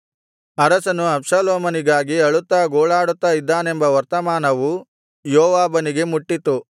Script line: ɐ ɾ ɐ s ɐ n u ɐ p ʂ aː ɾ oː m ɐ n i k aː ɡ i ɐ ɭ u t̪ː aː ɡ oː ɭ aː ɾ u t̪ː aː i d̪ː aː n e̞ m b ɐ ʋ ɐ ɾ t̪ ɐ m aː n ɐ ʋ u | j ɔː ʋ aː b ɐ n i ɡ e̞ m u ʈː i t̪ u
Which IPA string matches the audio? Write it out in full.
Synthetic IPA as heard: ɐ ɾ ɐ s ɐ n u ɐ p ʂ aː l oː m ɐ n i ɡ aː ɡ i ɐ ɭ u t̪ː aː ɡ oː ɭ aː ɽ u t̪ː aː i d̪ː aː n e̞ m b ɐ ʋ ɐ ɾ t̪ ɐ m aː n ɐ ʋ u | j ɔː ʋ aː b ɐ n i ɡ e̞ m u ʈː i t̪ u